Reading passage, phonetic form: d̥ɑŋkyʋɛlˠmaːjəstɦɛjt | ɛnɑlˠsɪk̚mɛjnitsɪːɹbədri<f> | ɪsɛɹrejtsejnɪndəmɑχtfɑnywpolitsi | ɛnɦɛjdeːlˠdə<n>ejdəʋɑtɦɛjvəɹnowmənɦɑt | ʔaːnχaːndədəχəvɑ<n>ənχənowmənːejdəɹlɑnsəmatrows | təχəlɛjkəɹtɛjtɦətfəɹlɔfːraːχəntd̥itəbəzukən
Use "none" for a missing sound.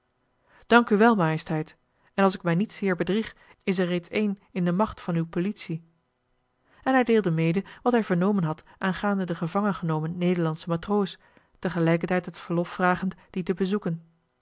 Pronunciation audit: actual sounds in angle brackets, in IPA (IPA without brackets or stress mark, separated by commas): χ, m, ŋ